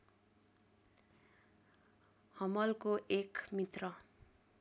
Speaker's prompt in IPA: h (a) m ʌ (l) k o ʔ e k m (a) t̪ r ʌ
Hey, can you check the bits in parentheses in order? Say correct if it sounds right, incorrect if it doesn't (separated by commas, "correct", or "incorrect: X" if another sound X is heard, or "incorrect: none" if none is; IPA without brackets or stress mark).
incorrect: ʌ, correct, incorrect: i